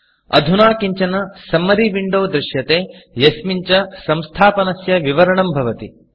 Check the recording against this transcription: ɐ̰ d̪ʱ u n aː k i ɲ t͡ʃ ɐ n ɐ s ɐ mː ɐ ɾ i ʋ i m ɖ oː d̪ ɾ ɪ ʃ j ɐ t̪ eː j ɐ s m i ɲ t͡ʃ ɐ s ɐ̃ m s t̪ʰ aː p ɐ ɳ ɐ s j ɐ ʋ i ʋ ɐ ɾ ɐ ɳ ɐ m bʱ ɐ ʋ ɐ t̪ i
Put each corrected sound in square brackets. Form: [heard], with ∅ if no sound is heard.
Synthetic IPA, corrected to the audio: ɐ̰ d̪ʱ u n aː k i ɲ t͡ʃ ɐ n ɐ s ɐ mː ɐ ɾ i ʋ i [ɳ] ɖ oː d̪ ɾ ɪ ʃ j ɐ t̪ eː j ɐ s m i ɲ t͡ʃ ɐ s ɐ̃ m s t̪ʰ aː p ɐ [n] ɐ s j ɐ ʋ i ʋ ɐ ɾ ɐ ɳ ɐ m bʱ ɐ ʋ ɐ t̪ i